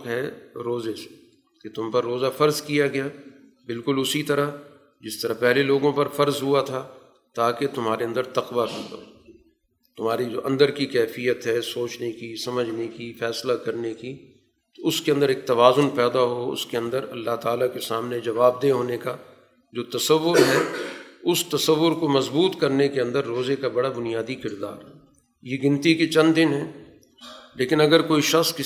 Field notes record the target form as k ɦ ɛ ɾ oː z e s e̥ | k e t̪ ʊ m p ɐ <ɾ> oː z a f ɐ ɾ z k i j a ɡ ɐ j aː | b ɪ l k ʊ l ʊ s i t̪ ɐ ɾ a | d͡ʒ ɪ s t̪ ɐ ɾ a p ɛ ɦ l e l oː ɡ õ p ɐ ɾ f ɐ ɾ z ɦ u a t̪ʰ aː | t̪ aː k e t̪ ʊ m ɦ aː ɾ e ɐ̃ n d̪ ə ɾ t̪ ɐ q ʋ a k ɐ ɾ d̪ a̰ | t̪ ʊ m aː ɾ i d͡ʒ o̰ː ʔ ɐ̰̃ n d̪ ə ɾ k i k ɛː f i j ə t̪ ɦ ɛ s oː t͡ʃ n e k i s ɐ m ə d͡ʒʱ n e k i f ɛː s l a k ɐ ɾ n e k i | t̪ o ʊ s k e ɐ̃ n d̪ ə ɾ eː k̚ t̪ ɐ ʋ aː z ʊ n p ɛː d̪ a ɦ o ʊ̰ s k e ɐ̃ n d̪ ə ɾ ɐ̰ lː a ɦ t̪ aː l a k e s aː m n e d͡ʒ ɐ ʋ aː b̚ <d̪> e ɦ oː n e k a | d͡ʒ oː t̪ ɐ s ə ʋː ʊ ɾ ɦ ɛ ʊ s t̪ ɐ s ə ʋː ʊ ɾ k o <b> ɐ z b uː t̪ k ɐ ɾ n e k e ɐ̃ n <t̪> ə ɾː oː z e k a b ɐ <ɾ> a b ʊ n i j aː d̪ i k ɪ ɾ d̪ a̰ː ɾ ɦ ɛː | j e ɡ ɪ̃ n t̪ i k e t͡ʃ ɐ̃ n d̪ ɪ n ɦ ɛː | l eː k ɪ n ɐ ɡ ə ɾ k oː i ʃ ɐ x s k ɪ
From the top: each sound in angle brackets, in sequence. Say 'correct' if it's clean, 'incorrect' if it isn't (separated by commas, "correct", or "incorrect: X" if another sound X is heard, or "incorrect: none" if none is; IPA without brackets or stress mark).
incorrect: ɾː, correct, incorrect: m, incorrect: d̪, incorrect: ɽ